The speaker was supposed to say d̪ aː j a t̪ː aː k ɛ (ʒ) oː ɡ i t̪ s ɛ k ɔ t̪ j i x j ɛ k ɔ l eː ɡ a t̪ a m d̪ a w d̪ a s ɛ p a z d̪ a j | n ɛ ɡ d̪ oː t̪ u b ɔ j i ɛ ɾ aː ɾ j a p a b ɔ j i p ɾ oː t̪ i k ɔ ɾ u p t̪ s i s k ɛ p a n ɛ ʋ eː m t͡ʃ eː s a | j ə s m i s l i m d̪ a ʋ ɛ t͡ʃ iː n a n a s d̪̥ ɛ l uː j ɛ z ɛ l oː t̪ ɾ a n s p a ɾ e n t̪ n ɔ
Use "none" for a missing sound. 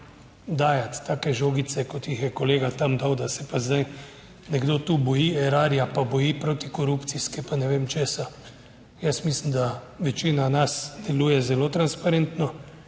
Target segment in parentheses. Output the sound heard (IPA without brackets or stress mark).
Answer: ʒ